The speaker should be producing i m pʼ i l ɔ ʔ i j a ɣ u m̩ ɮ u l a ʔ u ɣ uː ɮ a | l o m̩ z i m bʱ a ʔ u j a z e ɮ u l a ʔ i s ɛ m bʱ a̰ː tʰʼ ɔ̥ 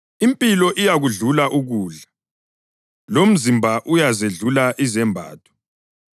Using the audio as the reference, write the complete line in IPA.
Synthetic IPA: i m pʼ i l ɔ ʔ i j a ɣ u ɮ u l a ʔ u ɣ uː ɮ a | l o m̩ z i m bʱ a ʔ u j a z e ɮ u l a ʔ i z ɛ m bʱ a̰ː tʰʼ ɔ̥

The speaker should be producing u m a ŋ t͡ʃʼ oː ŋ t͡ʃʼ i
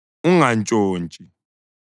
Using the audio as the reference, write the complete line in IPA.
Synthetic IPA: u ŋ a n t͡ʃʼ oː n t͡ʃʼ i

